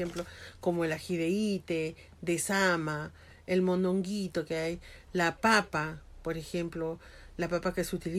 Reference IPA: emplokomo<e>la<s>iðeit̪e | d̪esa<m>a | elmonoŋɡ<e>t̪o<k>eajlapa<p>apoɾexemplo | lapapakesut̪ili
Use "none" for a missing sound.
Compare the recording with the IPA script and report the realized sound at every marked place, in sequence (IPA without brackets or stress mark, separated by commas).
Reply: e, x, m, i, k, p